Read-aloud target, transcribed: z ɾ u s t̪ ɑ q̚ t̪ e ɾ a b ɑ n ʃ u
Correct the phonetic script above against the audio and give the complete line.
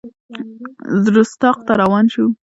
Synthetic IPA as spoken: z ɾ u s t̪ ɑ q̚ t̪ a ɾ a w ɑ n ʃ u